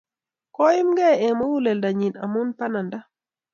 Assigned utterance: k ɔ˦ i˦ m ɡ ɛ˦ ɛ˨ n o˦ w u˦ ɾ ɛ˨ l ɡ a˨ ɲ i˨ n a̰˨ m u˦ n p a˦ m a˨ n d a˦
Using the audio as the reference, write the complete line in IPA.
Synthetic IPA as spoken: k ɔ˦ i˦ m ɡ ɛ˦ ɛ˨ m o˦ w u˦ l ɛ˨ l d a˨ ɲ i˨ n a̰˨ m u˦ n p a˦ n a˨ n d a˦